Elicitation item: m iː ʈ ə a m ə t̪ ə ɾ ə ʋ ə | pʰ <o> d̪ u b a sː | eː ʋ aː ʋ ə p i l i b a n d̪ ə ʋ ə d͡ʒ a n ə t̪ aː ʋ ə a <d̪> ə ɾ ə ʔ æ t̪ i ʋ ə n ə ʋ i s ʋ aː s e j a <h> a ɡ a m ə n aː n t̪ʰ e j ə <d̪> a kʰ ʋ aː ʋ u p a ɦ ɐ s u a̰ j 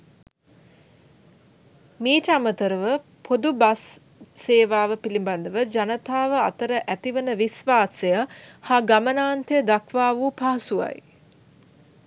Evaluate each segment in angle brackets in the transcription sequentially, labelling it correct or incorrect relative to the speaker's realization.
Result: correct, incorrect: t̪, correct, correct

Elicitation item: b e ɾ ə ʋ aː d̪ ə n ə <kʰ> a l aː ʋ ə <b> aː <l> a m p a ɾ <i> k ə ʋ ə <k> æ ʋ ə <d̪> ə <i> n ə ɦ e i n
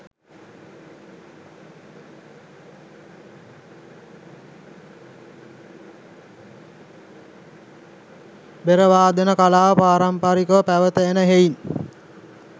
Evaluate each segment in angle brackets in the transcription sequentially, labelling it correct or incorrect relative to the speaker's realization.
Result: incorrect: k, incorrect: p, incorrect: ɾ, correct, incorrect: p, incorrect: t̪, incorrect: e

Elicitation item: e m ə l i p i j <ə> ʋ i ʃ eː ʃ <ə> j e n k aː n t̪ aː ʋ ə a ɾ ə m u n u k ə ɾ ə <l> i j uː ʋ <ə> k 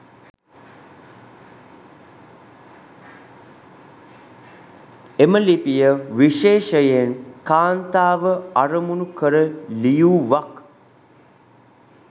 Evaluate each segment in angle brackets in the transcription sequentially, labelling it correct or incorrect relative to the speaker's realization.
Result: correct, correct, correct, incorrect: a

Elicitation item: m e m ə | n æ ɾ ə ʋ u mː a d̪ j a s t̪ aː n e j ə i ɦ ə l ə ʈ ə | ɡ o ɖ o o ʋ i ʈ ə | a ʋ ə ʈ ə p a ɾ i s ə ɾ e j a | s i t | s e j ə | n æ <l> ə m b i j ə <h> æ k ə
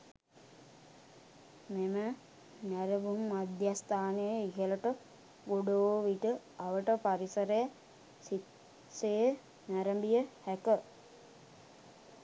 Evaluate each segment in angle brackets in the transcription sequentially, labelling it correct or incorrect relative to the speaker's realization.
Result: incorrect: ɾ, correct

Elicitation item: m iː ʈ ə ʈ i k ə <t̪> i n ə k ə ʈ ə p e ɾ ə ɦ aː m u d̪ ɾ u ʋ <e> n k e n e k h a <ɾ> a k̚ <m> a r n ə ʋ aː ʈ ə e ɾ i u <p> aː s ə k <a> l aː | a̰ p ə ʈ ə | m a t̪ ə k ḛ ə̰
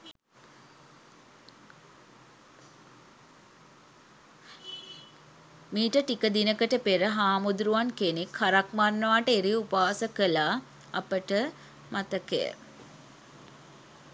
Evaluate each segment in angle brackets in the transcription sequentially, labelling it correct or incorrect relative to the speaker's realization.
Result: incorrect: d̪, incorrect: a, correct, correct, correct, incorrect: ə

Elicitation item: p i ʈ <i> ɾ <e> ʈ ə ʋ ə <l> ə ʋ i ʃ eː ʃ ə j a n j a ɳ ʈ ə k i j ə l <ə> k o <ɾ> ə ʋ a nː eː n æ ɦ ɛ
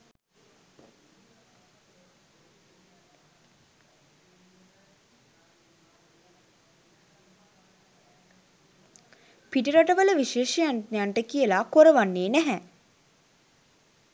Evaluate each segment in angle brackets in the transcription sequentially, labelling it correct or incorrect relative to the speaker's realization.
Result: correct, incorrect: a, correct, incorrect: a, correct

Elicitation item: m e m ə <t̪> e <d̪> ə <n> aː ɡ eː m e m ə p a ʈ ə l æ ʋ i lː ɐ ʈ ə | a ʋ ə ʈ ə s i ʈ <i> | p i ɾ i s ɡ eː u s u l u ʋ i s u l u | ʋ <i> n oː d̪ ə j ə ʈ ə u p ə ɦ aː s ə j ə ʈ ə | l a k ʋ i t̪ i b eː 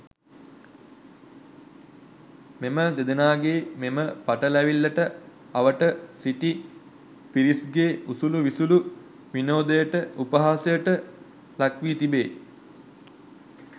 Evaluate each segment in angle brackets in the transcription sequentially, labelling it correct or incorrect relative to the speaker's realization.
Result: incorrect: d̪, correct, correct, correct, correct

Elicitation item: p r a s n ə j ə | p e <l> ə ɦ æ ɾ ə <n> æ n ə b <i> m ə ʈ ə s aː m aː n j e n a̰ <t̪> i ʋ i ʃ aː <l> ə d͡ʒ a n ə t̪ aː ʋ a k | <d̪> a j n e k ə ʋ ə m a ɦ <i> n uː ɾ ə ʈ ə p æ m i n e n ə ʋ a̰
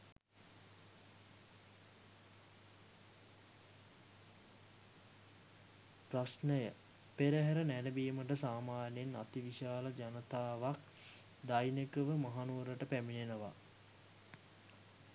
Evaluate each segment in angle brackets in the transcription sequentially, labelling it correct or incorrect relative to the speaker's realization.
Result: incorrect: ɾ, correct, incorrect: iː, correct, correct, correct, incorrect: a

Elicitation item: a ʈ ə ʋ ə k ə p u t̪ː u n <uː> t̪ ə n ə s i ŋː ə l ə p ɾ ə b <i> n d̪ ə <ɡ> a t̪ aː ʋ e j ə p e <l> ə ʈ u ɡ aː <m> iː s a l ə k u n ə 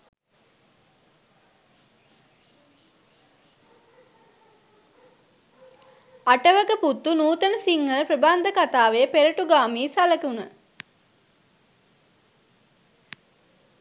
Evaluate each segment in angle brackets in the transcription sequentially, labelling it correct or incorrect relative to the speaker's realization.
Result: correct, incorrect: a, incorrect: k, incorrect: ɾ, correct

